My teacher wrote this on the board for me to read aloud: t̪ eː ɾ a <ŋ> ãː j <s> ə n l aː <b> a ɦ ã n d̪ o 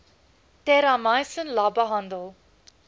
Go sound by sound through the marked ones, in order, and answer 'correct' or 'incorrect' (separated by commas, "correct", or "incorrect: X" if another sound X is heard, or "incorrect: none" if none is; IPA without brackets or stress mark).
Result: incorrect: m, correct, correct